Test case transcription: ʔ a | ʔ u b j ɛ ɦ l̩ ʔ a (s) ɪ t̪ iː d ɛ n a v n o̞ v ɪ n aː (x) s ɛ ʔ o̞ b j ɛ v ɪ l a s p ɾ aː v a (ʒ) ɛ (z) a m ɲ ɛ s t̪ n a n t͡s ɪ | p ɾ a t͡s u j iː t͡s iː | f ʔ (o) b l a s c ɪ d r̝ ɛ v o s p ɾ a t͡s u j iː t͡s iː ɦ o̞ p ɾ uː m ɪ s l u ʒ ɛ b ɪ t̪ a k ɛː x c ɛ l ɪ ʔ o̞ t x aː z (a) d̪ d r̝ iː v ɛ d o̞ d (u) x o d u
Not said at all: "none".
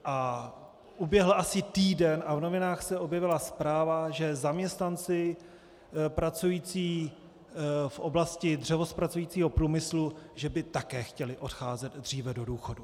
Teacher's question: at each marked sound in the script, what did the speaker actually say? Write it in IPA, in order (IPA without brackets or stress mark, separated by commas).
s, x, ʒ, z, o, ɛ, uː